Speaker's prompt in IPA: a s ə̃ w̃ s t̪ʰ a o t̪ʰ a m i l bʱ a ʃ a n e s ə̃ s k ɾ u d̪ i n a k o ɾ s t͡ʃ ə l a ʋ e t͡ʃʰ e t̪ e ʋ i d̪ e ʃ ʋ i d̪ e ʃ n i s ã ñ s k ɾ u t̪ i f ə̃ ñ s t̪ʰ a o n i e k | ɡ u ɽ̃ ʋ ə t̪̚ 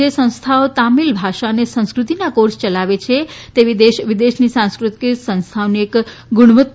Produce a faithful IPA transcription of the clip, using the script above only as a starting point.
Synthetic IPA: e s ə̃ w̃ s t̪ʰ a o t̪ a m i l bʱ a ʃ a n e s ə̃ s k ɾ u t̪ i n a k o ɾ s t͡ʃ ə l a ʋ e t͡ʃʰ e t̪ e ʋ i d̪ e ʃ ʋ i d̪ e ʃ n i s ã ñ s k ɾ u t̪ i s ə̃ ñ s t̪ʰ a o n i e k | ɡ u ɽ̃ ʋ ə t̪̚